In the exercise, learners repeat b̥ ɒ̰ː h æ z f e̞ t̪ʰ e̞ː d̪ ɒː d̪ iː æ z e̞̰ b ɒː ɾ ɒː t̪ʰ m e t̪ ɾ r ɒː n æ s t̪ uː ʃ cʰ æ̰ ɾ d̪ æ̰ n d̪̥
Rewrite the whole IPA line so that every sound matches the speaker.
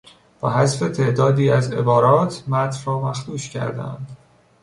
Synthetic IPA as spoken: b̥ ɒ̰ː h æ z f e̞ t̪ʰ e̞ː d̪ ɒː d̪ iː æ z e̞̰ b ɒː ɾ ɒː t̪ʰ m æ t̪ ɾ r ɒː m æ x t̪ uː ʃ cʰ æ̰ ɾ d̪ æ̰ n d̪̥